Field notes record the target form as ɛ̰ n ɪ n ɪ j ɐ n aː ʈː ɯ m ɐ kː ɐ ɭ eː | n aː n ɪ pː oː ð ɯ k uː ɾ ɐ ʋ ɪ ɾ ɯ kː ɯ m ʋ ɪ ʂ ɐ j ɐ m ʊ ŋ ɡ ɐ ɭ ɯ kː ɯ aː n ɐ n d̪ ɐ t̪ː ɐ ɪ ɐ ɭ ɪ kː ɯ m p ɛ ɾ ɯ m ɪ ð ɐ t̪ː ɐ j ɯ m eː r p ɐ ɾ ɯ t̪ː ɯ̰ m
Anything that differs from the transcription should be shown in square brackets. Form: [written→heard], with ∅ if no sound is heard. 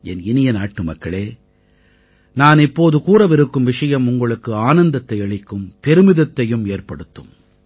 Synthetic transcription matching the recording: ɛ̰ n ɪ n ɪ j ɐ n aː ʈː ɯ m ɐ kː ɐ ɭ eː | n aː n ɪ pː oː ð ɯ k uː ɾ ɐ ʋ ɪ ɾ ɯ kː ɯ m ʋ ɪ ʂ ɐ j ɐ m ʊ ŋ ɡ ɐ ɭ ɯ kː ɯ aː n ɐ n d̪ ɐ t̪ː ɐ ɪ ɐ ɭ ɪ kː ɯ m p ɛ ɾ ɯ m ɪ ð ɐ t̪ː ɐ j ɯ m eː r p ɐ [ɾ→ɽ] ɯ t̪ː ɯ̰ m